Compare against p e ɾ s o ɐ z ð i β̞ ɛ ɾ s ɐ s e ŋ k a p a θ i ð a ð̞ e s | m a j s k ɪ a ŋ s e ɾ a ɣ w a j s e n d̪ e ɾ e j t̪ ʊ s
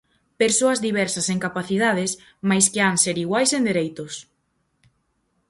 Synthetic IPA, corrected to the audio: p e ɾ s o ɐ z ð i β̞ ɛ ɾ s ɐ s e ŋ k a p a θ i ð a ð̞ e s | m a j s k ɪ a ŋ s e ɾ i ɣ w a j s e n d̪ e ɾ e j t̪ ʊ s